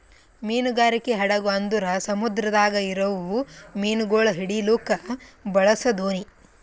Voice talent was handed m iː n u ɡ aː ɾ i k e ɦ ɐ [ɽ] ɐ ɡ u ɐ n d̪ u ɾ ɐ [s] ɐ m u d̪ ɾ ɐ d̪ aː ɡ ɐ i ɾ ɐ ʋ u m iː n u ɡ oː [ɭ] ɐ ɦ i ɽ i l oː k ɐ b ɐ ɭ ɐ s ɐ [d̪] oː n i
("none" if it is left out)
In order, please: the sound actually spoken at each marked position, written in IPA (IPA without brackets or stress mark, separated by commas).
ɽ, s, ɭ, d̪